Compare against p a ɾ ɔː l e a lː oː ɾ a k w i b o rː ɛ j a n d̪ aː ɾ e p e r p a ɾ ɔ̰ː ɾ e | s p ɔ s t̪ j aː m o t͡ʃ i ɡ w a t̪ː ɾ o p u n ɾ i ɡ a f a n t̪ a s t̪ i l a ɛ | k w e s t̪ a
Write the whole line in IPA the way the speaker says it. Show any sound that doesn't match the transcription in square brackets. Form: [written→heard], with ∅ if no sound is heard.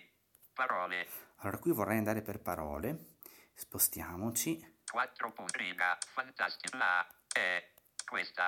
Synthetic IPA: p a ɾ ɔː l e a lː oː ɾ a k w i [b→v] o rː ɛ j a n d̪ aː ɾ e p e r p a ɾ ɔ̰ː [ɾ→l] e | s p [ɔ→o] s t̪ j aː m o t͡ʃ i [ɡ→k] w a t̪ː ɾ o p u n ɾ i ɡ a f a n t̪ a s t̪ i l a ɛ | k w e s t̪ a